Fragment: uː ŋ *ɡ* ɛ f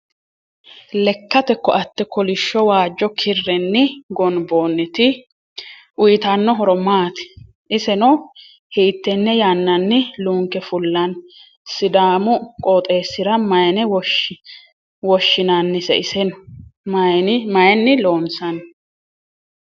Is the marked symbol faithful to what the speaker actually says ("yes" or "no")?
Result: no